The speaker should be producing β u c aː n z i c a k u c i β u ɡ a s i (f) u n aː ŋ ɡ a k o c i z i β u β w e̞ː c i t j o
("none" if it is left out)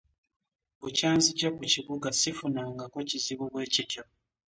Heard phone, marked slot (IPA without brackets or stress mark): f